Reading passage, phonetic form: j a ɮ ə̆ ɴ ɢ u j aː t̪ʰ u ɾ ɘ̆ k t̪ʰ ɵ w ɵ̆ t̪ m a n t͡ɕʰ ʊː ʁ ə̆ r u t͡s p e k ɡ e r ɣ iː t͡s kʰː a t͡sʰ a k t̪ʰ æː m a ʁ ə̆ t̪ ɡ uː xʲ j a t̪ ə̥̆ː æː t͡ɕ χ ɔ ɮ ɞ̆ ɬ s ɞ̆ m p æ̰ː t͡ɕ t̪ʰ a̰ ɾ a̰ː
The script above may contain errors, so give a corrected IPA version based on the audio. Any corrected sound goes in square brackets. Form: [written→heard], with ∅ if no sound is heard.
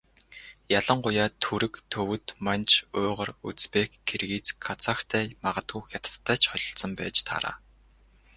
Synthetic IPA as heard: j a ɮ ə̆ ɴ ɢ [u→ʊ] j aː t̪ʰ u ɾ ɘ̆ k t̪ʰ ɵ w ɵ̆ t̪ m a n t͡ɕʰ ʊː ʁ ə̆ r u t͡s p e k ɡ e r ɣ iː t͡s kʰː a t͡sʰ a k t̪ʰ æː m a ʁ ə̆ t̪ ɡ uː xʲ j a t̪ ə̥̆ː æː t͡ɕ χ ɔ ɮ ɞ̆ ɬ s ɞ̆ m p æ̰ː t͡ɕ t̪ʰ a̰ ɾ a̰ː